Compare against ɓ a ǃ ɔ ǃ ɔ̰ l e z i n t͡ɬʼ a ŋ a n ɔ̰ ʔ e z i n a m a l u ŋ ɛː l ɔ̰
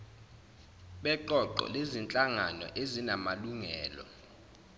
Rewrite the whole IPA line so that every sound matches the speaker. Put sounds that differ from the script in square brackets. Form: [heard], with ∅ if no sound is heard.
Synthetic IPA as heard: ɓ [ɛ] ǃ ɔ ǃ ɔ̰ l e z i n t͡ɬʼ a ŋ a n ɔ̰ ʔ e z i n a m a l u ŋ ɛː l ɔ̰

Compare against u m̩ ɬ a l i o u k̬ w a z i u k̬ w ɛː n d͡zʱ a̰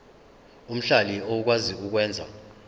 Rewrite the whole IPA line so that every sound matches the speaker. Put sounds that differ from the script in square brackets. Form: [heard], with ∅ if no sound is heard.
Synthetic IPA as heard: u m̩ ɬ a l i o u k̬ w a z i u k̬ w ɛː n d͡zʱ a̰

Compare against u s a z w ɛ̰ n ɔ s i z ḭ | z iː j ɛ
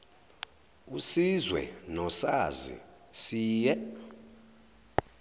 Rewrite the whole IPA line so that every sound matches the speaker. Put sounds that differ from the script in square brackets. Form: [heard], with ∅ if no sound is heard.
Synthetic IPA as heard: u s [i] z w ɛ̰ n ɔ s [a] z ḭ | [s] iː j ɛ

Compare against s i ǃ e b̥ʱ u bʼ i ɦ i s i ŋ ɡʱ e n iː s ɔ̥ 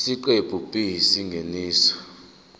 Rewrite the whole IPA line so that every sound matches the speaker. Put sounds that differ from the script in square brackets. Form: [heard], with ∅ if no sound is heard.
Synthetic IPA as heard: s i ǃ e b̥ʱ u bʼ i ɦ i s i ŋ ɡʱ e n iː s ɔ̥

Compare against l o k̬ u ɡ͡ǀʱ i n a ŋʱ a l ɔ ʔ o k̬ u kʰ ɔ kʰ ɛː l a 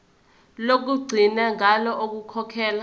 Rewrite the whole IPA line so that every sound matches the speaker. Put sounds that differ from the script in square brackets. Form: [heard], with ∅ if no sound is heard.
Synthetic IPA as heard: l o k̬ u ɡ͡ǀʱ i n a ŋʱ a l ɔ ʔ o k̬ u kʰ ɔ kʰ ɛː l a

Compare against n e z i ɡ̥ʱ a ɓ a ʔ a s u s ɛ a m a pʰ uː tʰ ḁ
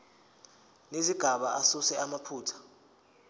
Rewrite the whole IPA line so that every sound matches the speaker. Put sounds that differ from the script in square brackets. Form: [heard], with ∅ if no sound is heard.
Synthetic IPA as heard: n e z i ɡ̥ʱ a ɓ a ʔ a s u s ɛ a m a pʰ uː tʰ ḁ

